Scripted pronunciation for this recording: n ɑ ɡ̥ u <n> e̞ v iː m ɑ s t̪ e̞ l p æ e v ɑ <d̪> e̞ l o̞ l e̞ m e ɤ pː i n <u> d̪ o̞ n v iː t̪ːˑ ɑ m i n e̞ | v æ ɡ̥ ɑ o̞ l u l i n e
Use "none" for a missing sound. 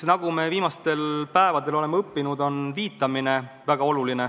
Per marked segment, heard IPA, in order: m, d̪, u

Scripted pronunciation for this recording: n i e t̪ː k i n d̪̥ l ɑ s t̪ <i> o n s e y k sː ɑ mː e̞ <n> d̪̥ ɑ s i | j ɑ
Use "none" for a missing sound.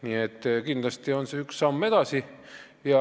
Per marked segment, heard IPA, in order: i, none

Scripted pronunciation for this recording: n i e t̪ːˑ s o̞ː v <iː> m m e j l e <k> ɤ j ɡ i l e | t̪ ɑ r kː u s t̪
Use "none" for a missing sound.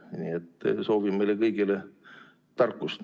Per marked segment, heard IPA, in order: i, k

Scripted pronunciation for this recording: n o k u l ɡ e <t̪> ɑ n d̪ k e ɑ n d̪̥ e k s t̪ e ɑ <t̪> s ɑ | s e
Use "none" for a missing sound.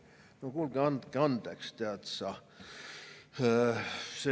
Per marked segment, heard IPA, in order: none, t̪

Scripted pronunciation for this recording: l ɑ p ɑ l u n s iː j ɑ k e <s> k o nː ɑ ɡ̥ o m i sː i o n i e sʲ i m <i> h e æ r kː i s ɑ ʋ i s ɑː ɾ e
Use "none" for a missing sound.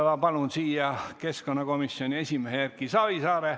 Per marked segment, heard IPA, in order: s, e

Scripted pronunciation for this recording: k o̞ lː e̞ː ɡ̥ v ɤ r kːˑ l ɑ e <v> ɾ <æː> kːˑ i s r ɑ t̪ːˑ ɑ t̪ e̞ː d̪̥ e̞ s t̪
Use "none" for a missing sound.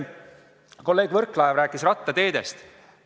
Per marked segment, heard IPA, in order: v, æː

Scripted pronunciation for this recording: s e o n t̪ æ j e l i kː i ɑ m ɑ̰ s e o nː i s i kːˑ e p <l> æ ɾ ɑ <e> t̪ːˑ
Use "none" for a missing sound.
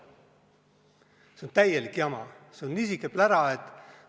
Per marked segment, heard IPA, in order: l, e

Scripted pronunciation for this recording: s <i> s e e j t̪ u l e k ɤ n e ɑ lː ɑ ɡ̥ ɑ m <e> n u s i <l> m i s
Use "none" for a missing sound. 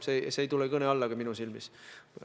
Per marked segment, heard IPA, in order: e, i, l

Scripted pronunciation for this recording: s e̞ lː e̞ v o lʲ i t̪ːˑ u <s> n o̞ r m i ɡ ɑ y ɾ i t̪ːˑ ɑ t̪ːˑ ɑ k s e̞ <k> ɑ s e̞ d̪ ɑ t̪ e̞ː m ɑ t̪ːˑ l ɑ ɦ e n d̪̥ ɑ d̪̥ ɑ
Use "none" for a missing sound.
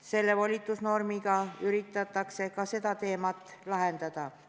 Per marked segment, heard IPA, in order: s, k

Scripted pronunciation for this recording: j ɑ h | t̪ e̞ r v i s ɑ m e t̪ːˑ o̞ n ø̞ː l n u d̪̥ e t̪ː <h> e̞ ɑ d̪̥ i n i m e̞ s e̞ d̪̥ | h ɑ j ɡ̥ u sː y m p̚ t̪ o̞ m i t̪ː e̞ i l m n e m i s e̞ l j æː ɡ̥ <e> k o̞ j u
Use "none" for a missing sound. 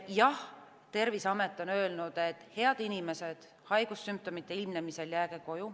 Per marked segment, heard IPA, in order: h, e

